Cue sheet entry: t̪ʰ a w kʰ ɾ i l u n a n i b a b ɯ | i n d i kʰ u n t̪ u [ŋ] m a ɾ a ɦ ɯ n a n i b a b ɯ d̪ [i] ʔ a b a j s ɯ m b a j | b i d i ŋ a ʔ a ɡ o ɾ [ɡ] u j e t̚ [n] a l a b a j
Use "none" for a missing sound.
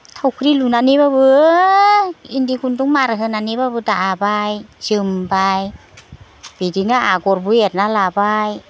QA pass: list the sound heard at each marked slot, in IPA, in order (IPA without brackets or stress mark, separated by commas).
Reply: ŋ, a, b, n